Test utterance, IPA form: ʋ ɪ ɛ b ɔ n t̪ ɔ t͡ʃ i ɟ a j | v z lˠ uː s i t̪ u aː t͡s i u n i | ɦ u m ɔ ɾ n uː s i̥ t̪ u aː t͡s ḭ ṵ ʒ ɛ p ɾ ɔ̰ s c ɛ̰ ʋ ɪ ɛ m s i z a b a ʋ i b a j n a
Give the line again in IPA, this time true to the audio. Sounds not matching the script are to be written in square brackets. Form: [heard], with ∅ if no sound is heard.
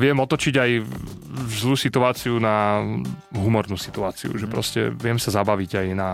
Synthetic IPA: ʋ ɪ ɛ [m] ɔ [∅] t̪ ɔ t͡ʃ i ɟ a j | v z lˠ uː s i t̪ u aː t͡s i u n [a] | ɦ u m ɔ ɾ n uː s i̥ t̪ u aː t͡s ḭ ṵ ʒ ɛ p ɾ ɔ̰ s c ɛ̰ ʋ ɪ ɛ m s [a] z a b a ʋ i [ɟ] a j n a